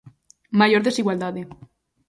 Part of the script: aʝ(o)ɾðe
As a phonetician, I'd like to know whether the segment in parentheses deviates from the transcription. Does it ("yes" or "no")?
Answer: no